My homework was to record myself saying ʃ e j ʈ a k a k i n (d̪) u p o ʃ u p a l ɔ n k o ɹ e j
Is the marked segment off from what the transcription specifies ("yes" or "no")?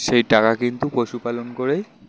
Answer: yes